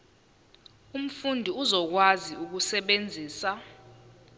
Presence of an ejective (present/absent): absent